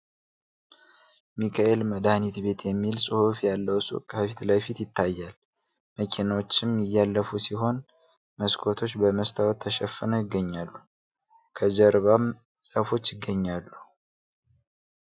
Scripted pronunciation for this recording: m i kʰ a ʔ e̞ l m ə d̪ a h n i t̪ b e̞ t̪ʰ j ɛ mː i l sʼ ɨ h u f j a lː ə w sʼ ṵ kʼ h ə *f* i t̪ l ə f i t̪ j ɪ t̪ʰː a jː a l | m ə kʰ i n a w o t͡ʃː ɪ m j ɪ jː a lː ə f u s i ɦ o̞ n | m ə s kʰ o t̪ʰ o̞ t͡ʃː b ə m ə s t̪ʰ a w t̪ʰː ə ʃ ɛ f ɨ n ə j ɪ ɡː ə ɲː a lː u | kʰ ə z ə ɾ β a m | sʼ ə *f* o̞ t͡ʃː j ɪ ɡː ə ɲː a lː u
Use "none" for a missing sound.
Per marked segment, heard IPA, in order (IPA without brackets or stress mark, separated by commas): f, f